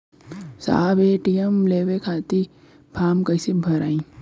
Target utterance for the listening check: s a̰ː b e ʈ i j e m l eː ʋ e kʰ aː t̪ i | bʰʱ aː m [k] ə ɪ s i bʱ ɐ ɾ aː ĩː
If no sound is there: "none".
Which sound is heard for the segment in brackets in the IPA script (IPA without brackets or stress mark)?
k